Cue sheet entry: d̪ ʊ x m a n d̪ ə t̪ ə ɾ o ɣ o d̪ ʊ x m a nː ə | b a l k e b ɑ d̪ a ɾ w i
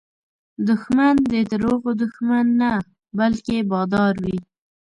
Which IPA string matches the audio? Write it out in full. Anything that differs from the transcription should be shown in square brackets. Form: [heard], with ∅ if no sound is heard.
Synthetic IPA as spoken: d̪ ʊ x m a n d̪ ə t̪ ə ɾ o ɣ o d̪ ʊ x m a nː [a] | b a l k e b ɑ d̪ [ɑ] ɾ w i